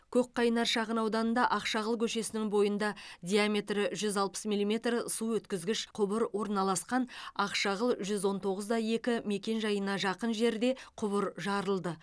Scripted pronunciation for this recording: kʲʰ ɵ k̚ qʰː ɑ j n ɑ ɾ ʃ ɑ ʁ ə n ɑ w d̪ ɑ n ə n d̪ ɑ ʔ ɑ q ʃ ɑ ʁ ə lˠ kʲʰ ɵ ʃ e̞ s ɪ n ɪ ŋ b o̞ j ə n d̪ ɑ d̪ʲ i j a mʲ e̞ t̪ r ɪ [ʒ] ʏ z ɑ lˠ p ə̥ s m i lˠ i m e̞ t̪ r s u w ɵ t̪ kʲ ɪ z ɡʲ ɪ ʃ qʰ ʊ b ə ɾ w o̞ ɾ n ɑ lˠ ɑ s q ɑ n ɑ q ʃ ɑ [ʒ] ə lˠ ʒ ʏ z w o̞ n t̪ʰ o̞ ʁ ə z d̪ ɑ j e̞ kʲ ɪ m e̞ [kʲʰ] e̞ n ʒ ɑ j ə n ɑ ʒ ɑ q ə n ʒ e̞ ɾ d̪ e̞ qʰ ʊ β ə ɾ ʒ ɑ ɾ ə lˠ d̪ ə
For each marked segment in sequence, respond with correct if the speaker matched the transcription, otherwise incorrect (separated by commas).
correct, incorrect, incorrect